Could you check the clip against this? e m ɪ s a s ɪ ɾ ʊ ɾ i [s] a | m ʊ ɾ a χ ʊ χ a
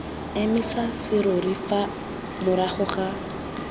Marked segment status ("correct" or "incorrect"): incorrect